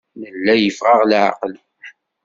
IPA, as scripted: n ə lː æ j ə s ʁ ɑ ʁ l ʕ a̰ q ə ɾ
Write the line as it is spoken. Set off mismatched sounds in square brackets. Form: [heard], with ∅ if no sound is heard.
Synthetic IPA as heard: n ə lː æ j ə [f] ʁ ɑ ʁ l ʕ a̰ q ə [l]

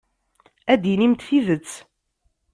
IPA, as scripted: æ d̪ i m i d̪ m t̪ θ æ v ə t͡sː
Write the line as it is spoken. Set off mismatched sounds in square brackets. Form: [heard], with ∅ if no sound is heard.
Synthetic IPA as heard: æ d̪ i [n] i [∅] m t̪ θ [i] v ə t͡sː

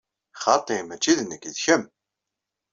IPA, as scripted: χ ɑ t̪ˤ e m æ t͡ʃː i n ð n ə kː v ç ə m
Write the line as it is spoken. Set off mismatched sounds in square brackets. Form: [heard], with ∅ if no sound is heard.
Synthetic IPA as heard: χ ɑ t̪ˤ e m æ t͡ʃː i [∅] ð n ə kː [ð] ç ə m

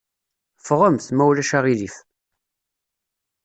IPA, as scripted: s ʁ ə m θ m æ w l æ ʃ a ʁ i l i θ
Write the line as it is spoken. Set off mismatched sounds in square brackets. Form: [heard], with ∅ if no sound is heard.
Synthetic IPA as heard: [f] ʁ ə m θ m æ w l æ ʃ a ʁ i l i [f]

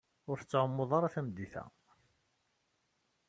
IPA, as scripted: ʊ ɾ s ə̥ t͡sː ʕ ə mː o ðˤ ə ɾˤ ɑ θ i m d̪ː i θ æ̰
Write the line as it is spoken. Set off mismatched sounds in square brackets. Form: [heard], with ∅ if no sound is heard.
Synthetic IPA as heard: ʊ ɾ [θ] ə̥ t͡sː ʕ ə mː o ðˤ [ɑ] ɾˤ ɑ θ [æ] m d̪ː i θ æ̰

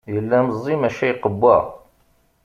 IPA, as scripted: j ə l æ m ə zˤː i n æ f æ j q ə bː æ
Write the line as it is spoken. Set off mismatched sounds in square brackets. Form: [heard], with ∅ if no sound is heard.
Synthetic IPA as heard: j ə [lː] æ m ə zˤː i [m] æ [ʃ] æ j q ə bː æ

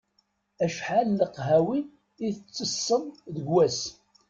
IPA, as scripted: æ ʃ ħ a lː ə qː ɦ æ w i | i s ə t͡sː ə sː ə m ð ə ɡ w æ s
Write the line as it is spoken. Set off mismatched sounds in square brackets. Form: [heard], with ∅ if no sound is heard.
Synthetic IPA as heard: æ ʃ ħ a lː ə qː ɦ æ w i | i [θ] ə t͡sː ə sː ə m ð ə ɡ w æ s

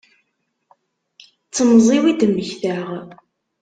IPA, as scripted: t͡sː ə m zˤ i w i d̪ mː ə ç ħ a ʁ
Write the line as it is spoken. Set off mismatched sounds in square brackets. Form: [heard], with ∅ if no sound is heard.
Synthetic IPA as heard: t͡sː ə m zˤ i w i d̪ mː ə ç [θ] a ʁ

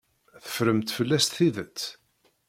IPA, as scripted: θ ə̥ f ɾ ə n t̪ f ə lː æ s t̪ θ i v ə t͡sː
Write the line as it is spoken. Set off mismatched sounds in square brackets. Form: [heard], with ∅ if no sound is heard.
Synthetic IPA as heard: θ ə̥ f ɾ ə [m] t̪ f ə lː æ s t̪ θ i [ð] ə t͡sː

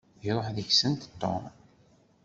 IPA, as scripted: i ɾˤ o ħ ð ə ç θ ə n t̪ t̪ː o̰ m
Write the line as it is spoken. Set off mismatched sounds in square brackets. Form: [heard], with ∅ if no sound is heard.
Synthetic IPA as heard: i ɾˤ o ħ ð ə ç [s] ə n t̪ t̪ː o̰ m

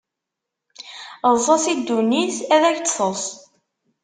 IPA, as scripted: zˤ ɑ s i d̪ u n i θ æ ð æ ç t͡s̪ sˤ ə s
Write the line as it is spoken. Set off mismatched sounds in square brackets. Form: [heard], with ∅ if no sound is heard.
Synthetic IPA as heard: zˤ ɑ s i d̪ u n i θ æ ð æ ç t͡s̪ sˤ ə s

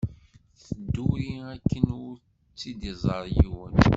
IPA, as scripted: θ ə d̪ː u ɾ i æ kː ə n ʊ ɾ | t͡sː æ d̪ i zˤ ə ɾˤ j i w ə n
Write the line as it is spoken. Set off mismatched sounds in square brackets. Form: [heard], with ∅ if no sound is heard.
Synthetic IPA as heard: θ ə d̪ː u ɾ i æ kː ə n ʊ ɾ | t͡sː [i] d̪ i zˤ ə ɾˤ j i w ə n

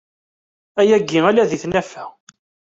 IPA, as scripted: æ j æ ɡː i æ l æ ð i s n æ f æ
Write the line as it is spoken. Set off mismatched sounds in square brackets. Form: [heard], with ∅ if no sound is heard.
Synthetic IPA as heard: æ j æ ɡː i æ l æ ð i [θ] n æ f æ

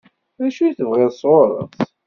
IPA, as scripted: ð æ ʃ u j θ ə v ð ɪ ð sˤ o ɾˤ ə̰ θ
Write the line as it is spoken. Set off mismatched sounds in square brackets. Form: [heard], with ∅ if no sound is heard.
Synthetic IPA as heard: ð æ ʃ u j θ ə v [ʁ] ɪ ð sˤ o ɾˤ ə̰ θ

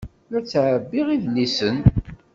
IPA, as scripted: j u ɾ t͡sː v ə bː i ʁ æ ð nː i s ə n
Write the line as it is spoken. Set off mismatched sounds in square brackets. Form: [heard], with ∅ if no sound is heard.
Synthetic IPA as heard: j [ʊ] ɾ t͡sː [ʕ] ə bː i ʁ [i] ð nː i s ə n

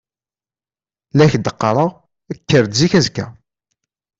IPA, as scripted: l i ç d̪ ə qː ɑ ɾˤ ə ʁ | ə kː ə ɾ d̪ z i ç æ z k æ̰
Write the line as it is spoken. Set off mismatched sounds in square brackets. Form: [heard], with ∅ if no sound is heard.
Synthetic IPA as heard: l [æ] ç d̪ ə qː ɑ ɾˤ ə ʁ | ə kː ə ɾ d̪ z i ç æ z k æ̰

